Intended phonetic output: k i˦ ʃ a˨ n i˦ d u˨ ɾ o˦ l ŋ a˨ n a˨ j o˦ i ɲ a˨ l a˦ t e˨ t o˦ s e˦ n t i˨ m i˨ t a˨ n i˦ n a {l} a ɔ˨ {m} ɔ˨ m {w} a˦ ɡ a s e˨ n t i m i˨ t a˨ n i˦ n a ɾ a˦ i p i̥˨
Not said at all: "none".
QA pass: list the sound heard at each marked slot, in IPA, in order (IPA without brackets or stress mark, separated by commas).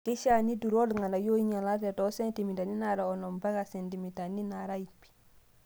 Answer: ɾ, n, b